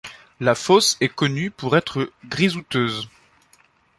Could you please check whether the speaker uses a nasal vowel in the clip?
no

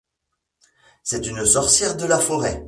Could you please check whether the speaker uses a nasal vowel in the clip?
no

